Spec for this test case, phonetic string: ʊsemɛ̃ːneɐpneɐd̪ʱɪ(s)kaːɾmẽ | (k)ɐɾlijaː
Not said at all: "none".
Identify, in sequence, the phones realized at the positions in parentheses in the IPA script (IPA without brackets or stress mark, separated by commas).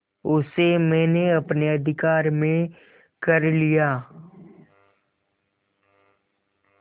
none, k